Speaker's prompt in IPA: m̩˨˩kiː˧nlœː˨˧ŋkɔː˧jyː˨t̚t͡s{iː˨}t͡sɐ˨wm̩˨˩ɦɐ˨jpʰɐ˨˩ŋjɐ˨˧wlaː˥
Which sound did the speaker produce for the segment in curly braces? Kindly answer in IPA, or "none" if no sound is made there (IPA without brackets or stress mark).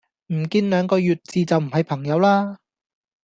iː˨